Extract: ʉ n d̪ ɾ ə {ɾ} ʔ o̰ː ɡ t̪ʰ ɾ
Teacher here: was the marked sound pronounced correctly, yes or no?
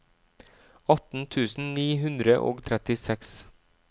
no